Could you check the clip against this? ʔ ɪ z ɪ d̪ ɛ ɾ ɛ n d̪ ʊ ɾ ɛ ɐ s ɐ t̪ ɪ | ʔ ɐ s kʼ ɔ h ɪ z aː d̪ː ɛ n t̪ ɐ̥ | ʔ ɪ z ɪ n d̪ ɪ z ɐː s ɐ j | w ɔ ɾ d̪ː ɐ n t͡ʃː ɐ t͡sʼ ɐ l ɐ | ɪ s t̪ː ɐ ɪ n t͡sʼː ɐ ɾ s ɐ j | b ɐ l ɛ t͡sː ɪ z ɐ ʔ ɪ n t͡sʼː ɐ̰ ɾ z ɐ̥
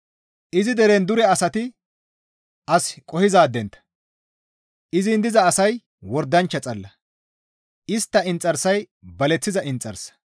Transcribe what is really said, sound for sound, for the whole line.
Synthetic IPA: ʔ ɪ z ɪ d̪ ɛ ɾ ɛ n d̪ ʊ ɾ ɛ ɐ s ɐ t̪ ɪ | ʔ ɐ s kʼ ɔ h ɪ z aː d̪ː ɛ n t̪ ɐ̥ | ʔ ɪ z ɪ n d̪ ɪ z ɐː s ɐ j | w ɔ ɾ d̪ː ɐ n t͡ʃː ɐ t͡sʼ ɐ lː ɐ | ɪ s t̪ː ɐ ɪ n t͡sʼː ɐ ɾ s ɐ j | b ɐ l ɛ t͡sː ɪ z ɐ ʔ ɪ n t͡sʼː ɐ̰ ɾ s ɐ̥